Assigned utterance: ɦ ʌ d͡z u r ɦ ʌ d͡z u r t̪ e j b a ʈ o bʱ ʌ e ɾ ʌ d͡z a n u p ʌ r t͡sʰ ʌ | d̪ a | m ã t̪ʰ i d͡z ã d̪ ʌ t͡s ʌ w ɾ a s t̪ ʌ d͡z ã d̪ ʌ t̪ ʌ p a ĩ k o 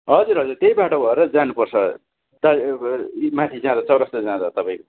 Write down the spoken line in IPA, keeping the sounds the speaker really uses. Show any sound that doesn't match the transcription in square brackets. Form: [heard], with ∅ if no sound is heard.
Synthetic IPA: ɦ ʌ d͡z u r ɦ ʌ d͡z u r t̪ e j b a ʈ o bʱ ʌ e ɾ ʌ d͡z a n u p ʌ r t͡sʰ ʌ | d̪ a | m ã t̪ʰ i d͡z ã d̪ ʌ t͡s ʌ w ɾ [ʌ] s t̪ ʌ d͡z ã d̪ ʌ t̪ ʌ p a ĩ k o